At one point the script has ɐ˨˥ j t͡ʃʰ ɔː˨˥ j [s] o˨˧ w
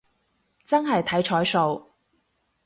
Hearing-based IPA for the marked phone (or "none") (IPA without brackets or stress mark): s